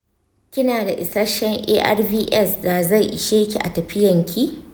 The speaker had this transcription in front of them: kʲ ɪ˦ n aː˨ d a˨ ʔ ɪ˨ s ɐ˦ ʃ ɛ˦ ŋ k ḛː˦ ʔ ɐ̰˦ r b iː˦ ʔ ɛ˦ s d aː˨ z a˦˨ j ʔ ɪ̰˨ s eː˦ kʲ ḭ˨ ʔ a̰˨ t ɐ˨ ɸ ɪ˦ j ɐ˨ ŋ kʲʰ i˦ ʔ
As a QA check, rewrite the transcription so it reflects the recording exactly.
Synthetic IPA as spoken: kʲ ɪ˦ n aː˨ d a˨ ʔ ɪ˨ s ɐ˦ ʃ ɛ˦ ŋ ʔ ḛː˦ ʔ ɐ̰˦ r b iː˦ ʔ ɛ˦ s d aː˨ z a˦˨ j ʔ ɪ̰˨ ʃ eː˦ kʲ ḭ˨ ʔ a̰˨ t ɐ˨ ɸ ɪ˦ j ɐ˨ ŋ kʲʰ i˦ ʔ